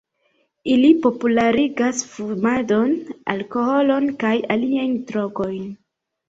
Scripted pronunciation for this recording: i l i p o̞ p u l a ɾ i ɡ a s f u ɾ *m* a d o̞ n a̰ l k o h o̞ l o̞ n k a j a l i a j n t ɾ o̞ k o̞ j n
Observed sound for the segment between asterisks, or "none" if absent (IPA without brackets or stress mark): m